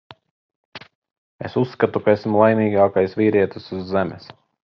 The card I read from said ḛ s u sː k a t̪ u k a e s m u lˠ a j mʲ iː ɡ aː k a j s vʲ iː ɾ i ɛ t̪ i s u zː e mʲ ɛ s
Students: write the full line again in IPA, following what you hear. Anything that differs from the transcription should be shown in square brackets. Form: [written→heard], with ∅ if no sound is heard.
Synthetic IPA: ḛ s u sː k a t̪ u k a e s m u lˠ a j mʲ iː ɡ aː k a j s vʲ iː ɾ i ɛ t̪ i s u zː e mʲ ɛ s